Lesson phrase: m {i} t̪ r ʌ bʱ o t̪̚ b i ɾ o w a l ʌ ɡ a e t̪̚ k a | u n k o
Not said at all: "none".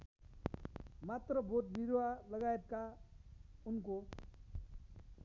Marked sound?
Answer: a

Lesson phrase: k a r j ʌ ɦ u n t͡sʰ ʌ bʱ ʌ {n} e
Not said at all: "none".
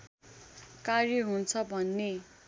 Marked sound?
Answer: nː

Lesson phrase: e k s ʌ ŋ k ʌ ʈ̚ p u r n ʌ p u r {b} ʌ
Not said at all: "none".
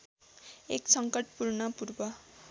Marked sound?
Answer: b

